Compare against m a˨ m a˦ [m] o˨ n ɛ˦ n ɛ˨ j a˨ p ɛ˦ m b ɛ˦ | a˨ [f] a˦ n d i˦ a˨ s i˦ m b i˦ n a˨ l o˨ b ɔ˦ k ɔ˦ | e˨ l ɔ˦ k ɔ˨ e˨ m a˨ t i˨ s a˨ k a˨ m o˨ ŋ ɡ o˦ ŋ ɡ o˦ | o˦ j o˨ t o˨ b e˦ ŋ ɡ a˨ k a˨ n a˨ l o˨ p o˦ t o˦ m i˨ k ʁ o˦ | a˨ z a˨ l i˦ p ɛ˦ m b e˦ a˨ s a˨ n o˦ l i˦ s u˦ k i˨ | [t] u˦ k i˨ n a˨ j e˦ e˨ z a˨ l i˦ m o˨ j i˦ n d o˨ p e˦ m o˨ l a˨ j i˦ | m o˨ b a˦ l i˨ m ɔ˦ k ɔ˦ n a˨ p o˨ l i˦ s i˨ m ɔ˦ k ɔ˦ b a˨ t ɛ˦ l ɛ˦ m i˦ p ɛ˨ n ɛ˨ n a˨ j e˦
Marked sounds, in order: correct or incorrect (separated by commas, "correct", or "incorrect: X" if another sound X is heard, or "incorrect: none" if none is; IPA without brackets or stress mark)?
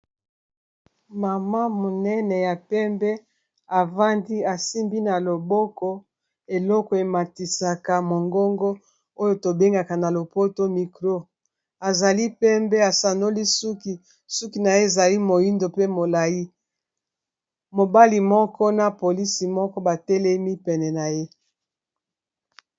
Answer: correct, incorrect: v, incorrect: s